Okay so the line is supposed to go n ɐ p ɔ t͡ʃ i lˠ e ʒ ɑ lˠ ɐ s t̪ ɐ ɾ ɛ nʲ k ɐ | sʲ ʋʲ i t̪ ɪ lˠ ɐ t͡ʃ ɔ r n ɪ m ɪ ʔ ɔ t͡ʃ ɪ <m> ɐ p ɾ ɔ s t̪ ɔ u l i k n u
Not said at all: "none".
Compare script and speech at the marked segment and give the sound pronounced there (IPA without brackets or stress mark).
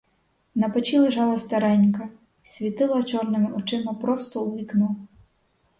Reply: m